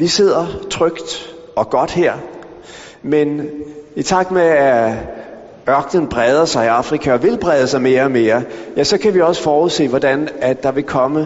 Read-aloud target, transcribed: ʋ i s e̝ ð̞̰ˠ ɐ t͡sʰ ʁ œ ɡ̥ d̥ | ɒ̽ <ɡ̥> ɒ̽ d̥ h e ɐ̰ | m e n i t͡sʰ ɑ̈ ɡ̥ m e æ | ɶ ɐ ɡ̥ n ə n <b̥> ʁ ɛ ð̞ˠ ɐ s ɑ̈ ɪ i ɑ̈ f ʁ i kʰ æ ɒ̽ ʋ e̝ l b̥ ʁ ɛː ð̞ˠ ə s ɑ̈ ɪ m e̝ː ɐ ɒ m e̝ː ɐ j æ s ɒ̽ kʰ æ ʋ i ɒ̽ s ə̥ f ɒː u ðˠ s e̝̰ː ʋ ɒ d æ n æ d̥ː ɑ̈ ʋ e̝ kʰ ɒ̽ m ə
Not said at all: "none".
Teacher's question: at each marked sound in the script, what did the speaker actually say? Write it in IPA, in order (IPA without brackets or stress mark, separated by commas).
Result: ɡ̥, b̥